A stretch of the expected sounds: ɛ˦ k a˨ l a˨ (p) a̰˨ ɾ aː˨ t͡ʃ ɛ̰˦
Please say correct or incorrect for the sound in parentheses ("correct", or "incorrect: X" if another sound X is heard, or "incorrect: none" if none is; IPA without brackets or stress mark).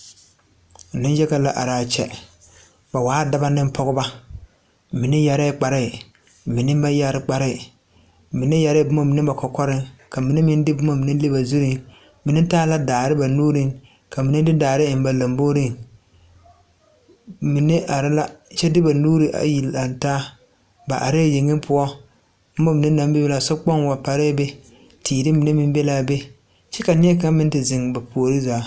incorrect: ʔ